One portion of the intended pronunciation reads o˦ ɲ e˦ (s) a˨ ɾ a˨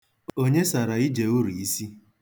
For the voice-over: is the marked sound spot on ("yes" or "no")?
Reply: yes